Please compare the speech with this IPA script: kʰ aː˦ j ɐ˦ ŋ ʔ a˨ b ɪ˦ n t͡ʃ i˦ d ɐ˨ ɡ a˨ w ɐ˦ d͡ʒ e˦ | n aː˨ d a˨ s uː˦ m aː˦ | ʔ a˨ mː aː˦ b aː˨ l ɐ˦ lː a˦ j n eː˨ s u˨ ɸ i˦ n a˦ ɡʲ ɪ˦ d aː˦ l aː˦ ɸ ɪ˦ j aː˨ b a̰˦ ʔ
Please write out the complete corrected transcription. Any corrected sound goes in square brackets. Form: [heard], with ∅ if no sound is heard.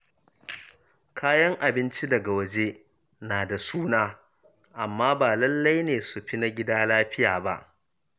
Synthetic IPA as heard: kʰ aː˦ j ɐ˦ ŋ ʔ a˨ b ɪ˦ n t͡ʃ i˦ d ɐ˨ ɡ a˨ w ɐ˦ d͡ʒ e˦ | n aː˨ d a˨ s uː˦ [n] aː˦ | ʔ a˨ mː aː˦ b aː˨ l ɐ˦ lː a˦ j n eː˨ s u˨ ɸ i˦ n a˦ ɡʲ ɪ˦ d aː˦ l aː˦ ɸ ɪ˦ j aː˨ b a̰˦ ʔ